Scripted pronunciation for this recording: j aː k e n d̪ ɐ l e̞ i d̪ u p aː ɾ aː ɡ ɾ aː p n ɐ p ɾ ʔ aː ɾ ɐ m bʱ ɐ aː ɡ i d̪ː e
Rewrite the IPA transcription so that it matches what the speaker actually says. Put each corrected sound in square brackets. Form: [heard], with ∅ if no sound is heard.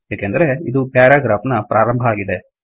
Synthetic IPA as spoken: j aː k e n d̪ ɐ [ɾ] e̞ i d̪ u p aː ɾ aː ɡ ɾ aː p n ɐ p ɾ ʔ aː ɾ ɐ m bʱ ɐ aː ɡ i [d̪] e